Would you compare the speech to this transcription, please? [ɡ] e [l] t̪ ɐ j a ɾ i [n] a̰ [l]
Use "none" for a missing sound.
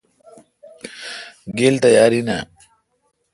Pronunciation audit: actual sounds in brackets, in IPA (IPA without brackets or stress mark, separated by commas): ɡ, l, n, none